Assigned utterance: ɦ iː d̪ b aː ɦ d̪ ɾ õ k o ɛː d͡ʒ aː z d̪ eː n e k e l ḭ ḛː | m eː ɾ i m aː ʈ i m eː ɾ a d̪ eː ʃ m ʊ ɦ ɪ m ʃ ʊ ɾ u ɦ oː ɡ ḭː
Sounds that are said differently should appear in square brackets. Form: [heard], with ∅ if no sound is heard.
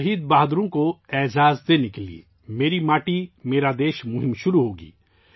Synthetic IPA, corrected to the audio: ɦ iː d̪ b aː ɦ d̪ ɾ õ k o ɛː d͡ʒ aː z d̪ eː n e k e l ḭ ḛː | m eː ɾ i m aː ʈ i m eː ɾ a d̪ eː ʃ m ʊ ɦ ɪ m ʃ ʊ ɾ u ɦ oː ɡ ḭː